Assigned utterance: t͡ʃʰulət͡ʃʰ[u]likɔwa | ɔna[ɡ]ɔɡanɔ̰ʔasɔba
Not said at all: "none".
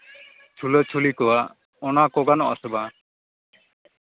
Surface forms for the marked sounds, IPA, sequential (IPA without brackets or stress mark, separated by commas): u, k